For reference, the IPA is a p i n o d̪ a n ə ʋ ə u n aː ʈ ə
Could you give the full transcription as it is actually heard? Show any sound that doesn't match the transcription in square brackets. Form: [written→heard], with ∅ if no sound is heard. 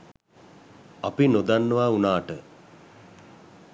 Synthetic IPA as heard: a p i n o d̪ a [n→nː] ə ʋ [ə→a] u n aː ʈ ə